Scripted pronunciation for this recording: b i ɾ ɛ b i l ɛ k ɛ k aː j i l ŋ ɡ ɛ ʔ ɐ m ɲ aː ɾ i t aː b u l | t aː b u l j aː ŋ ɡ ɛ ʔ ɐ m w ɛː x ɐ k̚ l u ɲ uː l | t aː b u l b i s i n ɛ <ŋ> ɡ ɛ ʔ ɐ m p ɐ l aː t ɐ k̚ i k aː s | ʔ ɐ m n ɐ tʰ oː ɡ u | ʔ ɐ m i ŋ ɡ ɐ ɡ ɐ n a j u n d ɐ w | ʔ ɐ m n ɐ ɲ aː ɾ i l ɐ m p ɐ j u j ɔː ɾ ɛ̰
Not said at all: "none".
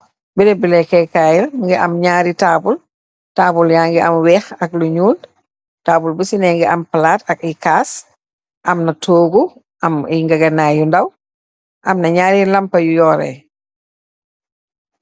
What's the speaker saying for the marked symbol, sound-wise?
ŋ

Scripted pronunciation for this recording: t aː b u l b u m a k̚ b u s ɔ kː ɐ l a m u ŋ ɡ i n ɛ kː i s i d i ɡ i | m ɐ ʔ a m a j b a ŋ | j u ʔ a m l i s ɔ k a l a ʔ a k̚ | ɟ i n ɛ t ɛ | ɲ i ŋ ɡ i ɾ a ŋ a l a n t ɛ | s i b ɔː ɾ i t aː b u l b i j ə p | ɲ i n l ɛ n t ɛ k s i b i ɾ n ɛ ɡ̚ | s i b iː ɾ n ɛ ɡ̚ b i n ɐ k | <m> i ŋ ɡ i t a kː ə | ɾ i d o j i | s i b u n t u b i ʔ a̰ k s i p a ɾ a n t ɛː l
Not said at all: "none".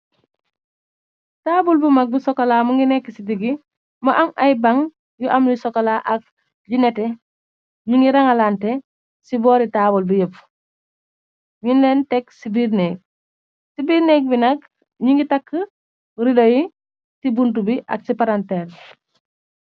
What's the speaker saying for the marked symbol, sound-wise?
ɲ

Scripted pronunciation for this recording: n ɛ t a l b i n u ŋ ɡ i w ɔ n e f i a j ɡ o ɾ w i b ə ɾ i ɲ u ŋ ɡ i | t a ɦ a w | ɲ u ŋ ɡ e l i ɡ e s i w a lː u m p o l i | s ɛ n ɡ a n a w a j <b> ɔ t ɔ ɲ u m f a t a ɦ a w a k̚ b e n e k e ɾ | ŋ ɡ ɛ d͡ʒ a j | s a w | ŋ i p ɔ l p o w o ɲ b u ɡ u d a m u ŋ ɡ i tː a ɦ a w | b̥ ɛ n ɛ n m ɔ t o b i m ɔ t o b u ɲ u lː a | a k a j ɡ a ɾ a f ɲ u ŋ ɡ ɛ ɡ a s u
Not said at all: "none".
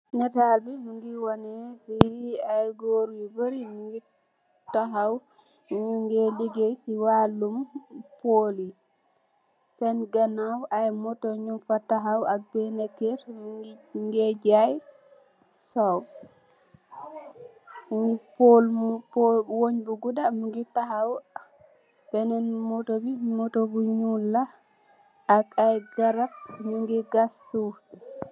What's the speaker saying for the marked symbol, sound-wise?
m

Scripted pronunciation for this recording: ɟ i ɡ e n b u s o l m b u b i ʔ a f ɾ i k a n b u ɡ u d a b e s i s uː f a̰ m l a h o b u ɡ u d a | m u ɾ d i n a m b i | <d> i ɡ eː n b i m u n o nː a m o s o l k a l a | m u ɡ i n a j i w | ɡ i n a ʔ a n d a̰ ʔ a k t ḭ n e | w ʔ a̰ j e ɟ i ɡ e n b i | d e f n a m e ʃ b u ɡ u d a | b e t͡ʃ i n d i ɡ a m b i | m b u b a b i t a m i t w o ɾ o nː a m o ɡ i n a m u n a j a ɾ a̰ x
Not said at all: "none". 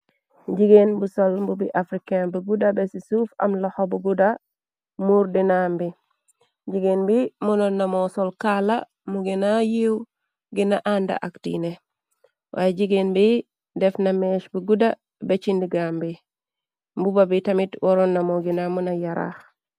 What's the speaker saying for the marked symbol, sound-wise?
ɟ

